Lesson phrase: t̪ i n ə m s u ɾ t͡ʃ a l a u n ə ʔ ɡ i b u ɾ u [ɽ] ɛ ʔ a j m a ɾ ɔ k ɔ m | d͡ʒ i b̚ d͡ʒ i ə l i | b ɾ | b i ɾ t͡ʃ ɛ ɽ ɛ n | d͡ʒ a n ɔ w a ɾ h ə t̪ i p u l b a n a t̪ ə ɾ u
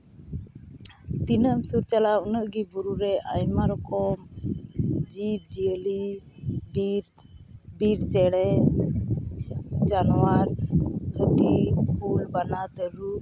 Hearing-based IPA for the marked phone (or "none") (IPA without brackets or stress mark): ɾ